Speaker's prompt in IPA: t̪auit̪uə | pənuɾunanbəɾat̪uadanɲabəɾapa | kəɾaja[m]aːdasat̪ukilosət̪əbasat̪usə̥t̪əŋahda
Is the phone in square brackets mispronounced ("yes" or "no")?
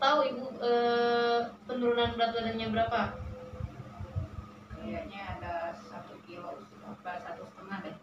yes